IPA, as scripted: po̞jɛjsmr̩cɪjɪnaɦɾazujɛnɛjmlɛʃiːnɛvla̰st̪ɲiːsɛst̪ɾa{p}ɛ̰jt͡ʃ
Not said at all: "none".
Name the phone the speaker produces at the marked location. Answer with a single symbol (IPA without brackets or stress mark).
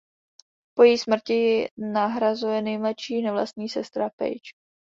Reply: p